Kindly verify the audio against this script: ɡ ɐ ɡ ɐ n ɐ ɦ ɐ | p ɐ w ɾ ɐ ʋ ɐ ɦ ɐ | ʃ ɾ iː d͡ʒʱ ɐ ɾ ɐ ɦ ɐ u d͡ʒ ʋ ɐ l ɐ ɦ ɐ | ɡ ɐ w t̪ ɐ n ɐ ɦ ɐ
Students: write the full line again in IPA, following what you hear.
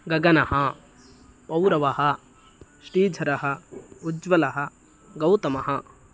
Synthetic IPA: ɡ ɐ ɡ ɐ n ɐ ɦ ɐ | p ɐ w ɾ ɐ ʋ ɐ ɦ ɐ | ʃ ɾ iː d͡ʒʱ ɐ ɾ ɐ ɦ ɐ u d͡ʒ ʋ ɐ l ɐ ɦ ɐ | ɡ ɐ w t̪ ɐ m ɐ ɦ ɐ